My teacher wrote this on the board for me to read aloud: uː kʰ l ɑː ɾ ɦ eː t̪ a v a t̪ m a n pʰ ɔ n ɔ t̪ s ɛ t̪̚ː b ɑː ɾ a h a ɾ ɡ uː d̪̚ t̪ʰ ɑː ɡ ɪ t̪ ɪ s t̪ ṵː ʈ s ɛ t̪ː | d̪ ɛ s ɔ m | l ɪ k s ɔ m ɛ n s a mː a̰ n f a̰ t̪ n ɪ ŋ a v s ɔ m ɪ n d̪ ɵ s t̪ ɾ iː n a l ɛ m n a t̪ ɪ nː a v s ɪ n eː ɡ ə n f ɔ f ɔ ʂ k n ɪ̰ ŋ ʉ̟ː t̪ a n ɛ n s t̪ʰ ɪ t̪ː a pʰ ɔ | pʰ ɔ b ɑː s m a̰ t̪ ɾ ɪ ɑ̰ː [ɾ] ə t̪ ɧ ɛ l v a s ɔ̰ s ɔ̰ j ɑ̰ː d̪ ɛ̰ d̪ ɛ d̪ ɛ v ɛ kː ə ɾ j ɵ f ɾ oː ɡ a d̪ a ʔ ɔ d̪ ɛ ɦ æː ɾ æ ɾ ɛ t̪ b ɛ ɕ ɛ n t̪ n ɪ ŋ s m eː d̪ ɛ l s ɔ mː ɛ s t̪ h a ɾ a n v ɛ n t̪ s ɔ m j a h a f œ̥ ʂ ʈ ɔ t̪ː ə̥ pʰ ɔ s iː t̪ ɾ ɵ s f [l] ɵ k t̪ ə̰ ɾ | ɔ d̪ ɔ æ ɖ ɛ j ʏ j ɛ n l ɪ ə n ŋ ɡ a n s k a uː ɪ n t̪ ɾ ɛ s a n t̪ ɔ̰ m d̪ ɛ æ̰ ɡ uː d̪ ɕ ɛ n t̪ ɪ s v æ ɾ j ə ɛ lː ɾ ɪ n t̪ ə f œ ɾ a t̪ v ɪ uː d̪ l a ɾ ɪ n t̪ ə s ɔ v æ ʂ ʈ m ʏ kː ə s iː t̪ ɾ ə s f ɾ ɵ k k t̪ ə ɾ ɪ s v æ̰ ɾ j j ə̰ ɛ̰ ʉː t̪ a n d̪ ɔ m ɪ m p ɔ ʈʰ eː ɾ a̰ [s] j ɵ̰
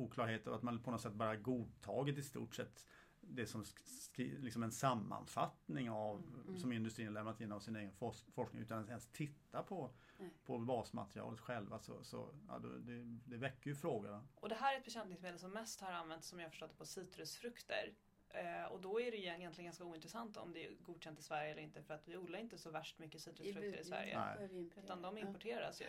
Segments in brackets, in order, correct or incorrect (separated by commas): incorrect, incorrect, correct